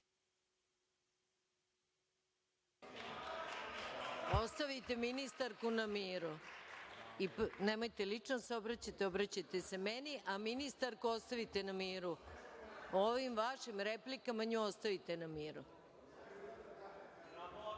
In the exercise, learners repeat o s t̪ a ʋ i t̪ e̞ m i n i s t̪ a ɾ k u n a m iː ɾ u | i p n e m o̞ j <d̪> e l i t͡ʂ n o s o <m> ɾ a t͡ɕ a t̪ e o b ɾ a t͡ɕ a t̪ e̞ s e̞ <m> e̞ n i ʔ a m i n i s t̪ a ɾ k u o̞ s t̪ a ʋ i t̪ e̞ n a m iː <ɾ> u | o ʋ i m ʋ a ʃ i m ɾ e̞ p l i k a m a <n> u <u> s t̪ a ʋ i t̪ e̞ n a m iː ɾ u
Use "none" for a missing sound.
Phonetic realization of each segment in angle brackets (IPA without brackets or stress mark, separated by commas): t̪, b, m, ɾ, ɲ, o